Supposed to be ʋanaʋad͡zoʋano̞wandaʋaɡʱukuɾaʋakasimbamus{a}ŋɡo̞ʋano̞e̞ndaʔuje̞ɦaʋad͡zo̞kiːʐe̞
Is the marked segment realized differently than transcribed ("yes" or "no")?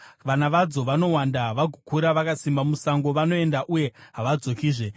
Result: no